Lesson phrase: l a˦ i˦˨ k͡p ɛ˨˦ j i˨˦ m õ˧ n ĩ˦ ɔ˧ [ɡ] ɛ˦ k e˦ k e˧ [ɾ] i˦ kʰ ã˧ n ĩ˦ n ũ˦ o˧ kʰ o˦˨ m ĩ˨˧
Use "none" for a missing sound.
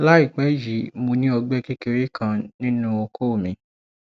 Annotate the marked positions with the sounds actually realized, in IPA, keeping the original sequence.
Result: ɡ͡b, ɾ

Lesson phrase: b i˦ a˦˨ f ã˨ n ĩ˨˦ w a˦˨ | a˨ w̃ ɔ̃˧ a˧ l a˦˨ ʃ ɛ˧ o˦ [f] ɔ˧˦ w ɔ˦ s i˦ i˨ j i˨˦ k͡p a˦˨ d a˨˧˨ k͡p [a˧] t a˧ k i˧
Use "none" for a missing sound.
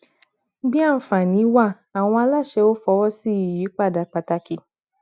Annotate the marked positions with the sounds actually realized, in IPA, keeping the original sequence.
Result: f, a˧

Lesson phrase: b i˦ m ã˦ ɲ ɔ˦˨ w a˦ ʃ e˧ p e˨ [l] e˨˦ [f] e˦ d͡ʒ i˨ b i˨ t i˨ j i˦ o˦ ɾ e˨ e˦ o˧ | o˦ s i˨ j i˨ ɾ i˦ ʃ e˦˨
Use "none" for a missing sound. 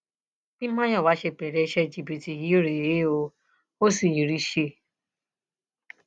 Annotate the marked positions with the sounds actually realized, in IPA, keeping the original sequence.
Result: ɾ, ʃ

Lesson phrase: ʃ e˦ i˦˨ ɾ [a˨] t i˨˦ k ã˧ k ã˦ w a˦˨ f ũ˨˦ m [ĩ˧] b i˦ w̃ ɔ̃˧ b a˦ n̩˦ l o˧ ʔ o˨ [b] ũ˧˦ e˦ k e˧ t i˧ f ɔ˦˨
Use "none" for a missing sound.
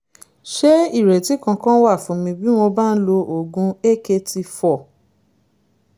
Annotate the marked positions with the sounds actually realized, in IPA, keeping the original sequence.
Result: ɛ˨, ĩ˧, ɡ

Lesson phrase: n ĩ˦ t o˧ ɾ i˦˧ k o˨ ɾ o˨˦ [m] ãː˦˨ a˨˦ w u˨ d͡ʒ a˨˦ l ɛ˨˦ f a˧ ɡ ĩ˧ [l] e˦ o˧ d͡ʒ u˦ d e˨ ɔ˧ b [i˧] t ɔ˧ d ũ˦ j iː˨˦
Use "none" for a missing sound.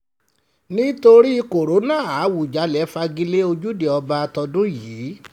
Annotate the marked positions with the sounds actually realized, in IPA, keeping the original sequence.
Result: n, l, a˧

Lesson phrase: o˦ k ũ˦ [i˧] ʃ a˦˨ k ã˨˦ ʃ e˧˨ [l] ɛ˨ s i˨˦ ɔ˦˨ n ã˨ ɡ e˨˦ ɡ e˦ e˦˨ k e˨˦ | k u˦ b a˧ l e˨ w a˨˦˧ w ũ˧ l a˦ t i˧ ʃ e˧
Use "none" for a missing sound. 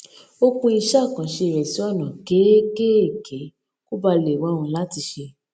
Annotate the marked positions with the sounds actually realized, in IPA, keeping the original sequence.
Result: i˧, ɾ

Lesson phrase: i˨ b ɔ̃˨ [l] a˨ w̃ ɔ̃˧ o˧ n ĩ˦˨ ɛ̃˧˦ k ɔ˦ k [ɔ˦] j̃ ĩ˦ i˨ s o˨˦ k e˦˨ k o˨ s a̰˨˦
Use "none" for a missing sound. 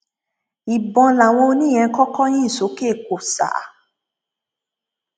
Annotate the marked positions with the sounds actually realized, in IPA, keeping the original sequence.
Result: l, ɔ˦

